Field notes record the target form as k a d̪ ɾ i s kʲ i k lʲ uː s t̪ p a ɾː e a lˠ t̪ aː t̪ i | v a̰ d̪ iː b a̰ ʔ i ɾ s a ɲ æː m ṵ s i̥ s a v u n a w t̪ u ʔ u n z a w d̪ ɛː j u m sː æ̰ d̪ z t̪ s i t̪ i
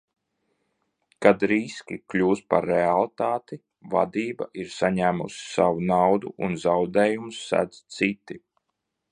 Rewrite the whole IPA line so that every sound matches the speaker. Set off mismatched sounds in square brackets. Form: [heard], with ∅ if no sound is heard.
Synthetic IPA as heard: k a d̪ ɾ i s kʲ i k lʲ uː s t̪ p a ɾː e a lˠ t̪ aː t̪ i | v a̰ d̪ iː b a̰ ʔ i ɾ s a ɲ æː m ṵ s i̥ s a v u n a w [d̪] u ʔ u n z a w d̪ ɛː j u m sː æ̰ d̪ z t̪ s i t̪ i